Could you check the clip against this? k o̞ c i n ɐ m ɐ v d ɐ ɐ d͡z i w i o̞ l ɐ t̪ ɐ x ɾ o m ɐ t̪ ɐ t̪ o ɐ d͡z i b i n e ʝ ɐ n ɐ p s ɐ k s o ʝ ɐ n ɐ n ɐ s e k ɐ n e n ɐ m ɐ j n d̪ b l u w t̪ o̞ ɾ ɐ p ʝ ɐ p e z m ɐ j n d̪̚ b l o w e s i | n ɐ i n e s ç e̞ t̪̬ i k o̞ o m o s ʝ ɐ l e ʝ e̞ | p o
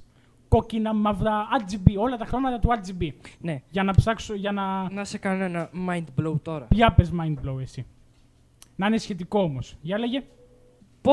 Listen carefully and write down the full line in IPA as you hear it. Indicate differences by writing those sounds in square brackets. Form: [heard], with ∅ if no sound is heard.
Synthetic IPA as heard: k o̞ c i n ɐ m ɐ v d ɐ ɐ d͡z i [b] i o̞ l ɐ t̪ ɐ x ɾ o m ɐ t̪ ɐ t̪ [u] ɐ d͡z i b i n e ʝ ɐ n ɐ p s ɐ k s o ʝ ɐ n ɐ n ɐ s e k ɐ n e n ɐ m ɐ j n d̪ b l [o] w t̪ o̞ ɾ ɐ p ʝ ɐ p e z m ɐ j n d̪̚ b l o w e s i | n ɐ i n e s ç e̞ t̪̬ i k o̞ o m o s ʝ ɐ l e ʝ e̞ | p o